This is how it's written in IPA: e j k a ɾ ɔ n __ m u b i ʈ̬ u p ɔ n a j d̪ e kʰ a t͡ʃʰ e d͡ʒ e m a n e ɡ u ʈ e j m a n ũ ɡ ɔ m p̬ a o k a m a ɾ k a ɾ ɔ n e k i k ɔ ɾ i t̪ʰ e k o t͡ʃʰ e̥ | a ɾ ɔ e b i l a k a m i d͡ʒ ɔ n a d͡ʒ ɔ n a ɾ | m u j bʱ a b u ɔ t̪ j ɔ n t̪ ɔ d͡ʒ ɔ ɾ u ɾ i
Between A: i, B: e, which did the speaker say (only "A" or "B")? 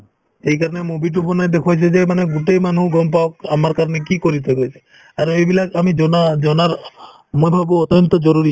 B